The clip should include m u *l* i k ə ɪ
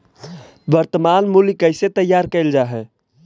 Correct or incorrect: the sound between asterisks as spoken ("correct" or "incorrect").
correct